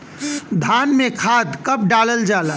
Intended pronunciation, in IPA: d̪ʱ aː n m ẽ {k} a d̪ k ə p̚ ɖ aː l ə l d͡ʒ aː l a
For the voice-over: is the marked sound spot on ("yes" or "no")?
no